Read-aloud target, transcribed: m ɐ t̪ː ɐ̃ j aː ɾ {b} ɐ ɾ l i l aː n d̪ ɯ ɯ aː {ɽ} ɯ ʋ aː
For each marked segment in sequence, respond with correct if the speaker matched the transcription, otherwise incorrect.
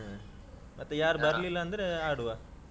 correct, correct

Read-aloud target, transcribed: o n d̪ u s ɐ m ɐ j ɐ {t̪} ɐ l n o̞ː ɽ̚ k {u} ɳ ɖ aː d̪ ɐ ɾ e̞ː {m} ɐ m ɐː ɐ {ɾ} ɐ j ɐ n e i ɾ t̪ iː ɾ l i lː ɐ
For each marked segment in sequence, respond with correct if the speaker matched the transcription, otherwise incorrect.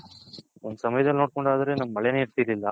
incorrect, incorrect, incorrect, incorrect

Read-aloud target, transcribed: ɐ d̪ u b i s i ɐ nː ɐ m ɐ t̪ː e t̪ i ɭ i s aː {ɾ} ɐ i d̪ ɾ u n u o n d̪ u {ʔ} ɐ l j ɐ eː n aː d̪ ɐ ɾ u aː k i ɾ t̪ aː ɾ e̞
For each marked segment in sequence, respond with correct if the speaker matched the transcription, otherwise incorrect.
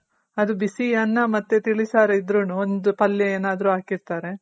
correct, incorrect

